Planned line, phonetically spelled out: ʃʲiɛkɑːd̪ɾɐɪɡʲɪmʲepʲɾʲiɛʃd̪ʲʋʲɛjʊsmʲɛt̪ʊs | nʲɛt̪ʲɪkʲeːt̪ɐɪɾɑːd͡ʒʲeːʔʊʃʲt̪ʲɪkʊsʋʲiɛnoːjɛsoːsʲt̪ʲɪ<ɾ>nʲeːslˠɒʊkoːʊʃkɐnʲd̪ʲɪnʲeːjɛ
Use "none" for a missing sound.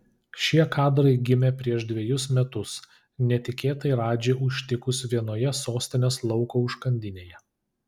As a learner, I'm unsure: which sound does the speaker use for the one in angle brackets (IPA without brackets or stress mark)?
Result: none